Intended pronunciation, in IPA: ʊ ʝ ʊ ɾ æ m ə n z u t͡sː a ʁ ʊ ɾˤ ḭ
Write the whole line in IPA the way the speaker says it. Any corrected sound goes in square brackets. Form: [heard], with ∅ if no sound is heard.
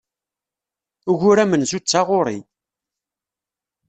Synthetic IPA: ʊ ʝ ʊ ɾ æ m ə n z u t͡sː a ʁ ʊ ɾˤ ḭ